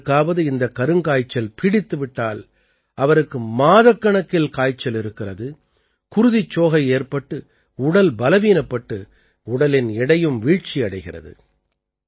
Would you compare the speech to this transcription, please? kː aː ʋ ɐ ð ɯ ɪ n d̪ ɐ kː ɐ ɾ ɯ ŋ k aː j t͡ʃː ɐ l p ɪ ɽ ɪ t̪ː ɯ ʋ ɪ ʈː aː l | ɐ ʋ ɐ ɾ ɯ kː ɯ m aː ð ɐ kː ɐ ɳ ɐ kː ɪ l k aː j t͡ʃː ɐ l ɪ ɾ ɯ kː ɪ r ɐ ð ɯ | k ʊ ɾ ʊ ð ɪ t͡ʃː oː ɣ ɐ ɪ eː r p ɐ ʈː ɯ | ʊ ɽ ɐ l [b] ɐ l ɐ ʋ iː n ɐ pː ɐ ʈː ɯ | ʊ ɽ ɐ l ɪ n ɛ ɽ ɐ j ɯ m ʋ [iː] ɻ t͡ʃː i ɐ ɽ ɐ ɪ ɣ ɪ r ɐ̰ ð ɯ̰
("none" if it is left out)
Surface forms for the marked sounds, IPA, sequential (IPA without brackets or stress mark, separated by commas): b, iː